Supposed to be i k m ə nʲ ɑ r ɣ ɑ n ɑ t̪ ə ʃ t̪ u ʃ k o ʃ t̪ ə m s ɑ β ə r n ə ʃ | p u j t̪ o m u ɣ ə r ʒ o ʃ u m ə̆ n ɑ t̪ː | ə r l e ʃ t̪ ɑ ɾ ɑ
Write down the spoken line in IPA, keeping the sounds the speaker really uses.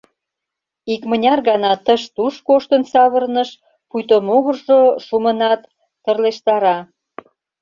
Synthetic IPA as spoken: i k m ə nʲ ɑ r ɣ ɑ n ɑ t̪ ə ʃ t̪ u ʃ k o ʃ t̪ ə n s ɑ β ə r n ə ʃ | p u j t̪ o m o ɣ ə r ʒ o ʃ u m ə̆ n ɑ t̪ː | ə r l e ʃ t̪ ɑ ɾ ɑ